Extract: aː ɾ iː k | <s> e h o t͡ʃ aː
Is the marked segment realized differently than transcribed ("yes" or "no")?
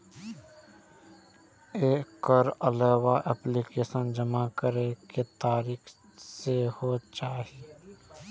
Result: no